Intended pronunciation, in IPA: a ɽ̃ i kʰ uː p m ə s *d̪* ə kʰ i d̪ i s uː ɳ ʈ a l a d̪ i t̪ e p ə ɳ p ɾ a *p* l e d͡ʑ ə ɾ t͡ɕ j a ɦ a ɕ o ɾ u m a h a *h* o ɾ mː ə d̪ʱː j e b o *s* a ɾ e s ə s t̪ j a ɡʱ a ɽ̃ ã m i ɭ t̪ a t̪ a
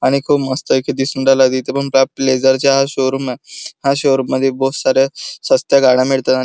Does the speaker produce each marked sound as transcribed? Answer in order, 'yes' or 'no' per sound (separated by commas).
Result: no, yes, no, yes